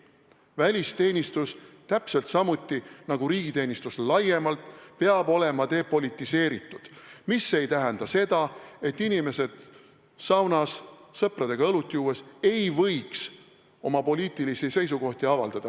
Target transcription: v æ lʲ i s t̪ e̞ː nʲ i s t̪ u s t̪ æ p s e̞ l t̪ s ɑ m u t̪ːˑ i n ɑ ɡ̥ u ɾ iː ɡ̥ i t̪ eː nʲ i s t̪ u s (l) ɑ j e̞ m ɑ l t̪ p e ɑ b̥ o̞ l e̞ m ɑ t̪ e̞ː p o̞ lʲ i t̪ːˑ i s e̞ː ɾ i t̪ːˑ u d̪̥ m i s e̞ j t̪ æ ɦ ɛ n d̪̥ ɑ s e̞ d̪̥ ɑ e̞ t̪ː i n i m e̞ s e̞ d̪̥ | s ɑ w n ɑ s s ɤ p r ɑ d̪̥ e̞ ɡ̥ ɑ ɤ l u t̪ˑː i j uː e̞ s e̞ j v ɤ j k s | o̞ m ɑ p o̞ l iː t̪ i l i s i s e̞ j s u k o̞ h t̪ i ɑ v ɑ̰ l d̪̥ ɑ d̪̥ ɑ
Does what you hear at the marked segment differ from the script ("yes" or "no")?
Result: no